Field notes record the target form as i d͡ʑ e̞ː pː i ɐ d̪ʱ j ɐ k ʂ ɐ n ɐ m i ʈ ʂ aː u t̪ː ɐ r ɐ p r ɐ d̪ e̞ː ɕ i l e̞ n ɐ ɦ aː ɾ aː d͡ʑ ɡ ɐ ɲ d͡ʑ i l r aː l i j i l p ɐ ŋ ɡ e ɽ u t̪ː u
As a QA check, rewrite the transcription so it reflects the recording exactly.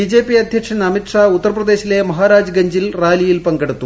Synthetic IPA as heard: i d͡ʑ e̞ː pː i ɐ d̪ʱ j ɐ k ʂ ɐ n ɐ m i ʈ ʂ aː u t̪ː ɐ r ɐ p r ɐ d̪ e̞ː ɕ i l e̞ m ɐ ɦ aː ɾ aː d͡ʑ ɡ ɐ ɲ d͡ʑ i l r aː l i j i l p ɐ ŋ ɡ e ɽ u t̪ː u

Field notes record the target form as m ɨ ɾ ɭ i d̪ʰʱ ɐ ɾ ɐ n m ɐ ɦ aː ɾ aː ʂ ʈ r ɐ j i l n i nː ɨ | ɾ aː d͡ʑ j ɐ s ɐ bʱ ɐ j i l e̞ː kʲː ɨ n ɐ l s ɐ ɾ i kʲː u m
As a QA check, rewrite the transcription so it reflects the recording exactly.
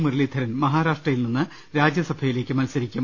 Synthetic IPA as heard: m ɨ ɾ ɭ i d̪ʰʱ ɐ ɾ ɐ n m ɐ ɦ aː ɾ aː ʂ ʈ r ɐ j i l n i nː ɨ | ɾ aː d͡ʑ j ɐ s ɐ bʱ ɐ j i l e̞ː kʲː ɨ m ɐ l s ɐ ɾ i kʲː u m

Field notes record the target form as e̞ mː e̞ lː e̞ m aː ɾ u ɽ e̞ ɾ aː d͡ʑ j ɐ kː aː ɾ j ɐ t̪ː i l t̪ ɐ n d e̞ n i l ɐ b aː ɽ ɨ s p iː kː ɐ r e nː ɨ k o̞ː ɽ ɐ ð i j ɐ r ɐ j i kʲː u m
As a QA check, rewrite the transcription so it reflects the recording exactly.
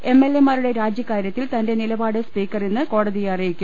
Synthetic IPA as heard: e̞ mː e̞ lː e̞ m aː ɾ u ɽ e̞ ɾ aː d͡ʑ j ɐ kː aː ɾ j ɐ t̪ː i l t̪ ɐ n d e̞ n i l ɐ b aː ɽ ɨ s p iː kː ɐ r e nː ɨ k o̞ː ɽ ɐ ð i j ɐ r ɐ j i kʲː u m

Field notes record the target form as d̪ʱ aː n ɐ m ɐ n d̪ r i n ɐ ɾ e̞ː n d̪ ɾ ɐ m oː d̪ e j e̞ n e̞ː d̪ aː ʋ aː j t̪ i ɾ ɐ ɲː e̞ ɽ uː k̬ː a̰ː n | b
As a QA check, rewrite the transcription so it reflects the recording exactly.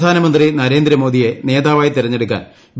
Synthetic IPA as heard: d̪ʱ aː n ɐ m ɐ n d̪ r i n ɐ ɾ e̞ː n d̪ ɾ ɐ m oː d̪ i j e̞ n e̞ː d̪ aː ʋ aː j t̪ i ɾ ɐ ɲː e̞ ɽ u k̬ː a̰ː n | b

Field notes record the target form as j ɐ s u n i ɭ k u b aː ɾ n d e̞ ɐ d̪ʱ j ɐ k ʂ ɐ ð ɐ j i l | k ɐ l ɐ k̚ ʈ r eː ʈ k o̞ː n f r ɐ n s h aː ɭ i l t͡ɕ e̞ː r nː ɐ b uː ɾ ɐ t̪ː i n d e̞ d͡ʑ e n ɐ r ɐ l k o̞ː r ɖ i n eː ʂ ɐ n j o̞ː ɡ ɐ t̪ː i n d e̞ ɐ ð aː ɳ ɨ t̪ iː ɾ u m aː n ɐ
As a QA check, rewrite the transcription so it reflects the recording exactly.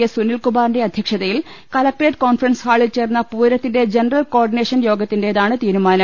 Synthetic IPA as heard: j ɐ s u n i l k u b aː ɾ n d e̞ ɐ d̪ʱ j ɐ k ʂ ɐ ð ɐ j i l | k ɐ l ɐ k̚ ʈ r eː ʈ k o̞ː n f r ɐ n s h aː ɭ i l t͡ɕ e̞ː r nː ɐ p uː ɾ ɐ t̪ː i n d e̞ d͡ʑ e n ɐ r ɐ l k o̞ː r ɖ i n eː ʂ ɐ n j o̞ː ɡ ɐ t̪ː i n d e̞ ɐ ð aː ɳ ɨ t̪ iː ɾ u m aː n ɐ

